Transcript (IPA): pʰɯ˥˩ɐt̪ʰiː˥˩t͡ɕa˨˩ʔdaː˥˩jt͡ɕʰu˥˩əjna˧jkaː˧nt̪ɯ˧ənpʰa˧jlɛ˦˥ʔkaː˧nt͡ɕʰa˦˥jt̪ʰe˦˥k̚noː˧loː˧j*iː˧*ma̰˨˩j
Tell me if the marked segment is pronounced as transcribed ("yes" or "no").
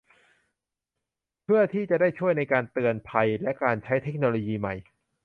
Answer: yes